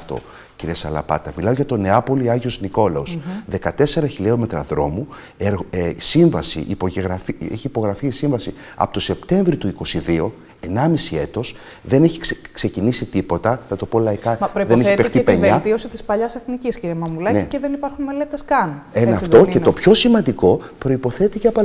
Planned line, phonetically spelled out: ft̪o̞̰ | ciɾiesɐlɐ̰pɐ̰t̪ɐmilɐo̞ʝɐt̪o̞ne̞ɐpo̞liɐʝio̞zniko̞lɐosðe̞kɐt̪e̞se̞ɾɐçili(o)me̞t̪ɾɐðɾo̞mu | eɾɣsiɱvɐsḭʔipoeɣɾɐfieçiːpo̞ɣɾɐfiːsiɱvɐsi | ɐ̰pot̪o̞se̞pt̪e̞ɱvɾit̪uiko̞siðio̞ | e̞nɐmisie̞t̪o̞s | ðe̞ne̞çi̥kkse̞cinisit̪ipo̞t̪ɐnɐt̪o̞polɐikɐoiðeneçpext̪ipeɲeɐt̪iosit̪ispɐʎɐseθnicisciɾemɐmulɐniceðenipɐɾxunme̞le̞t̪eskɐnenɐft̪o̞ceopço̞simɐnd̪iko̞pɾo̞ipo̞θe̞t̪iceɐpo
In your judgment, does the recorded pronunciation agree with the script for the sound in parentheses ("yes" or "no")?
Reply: yes